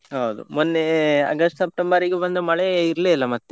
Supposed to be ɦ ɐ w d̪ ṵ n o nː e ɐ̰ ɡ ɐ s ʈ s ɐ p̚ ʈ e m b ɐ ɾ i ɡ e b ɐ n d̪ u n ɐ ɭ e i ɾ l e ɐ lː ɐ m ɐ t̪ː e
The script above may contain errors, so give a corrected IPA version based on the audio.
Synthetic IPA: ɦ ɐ w d̪ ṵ m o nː e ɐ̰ ɡ ɐ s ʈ s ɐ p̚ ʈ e m b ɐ ɾ i ɡ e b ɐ n d̪ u m ɐ ɭ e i ɾ l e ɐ lː ɐ m ɐ t̪ː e